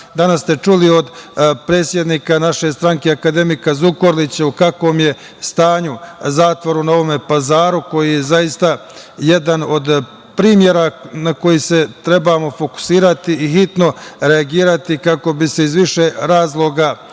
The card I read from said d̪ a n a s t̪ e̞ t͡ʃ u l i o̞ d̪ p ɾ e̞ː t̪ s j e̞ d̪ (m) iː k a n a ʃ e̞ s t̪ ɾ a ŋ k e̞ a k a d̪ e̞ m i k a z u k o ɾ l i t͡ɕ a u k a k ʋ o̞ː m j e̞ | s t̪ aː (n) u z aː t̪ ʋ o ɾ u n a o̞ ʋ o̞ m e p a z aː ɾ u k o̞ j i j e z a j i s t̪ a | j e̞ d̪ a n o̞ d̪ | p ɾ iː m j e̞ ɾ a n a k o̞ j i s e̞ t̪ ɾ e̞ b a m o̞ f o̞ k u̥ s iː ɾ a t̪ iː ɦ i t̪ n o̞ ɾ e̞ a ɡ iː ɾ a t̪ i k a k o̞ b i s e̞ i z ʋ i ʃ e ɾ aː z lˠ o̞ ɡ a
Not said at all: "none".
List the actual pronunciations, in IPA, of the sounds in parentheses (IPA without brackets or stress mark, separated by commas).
n, ɲ